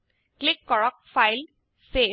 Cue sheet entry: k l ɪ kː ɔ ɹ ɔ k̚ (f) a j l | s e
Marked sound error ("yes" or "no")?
no